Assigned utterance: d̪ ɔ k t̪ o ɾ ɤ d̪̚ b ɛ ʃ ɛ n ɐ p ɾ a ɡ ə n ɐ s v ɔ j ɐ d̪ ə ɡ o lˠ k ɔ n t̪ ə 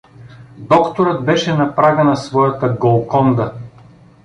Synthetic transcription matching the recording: d̪ ɔ k t̪ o ɾ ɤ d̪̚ b ɛ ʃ ɛ n ɐ p ɾ a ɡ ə n ɐ s v ɔ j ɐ t̪ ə ɡ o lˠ k ɔ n d̪ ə